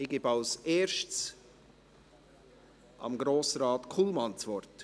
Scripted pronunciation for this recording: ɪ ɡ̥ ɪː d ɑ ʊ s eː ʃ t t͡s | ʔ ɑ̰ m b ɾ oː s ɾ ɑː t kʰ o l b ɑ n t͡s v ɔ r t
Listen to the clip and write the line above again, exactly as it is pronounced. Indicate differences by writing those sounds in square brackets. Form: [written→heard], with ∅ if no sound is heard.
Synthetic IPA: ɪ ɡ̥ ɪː [d→b] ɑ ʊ s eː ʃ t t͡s | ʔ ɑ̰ m [b→ɡ] ɾ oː s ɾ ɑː t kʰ [o→u] l [b→m] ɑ n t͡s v ɔ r t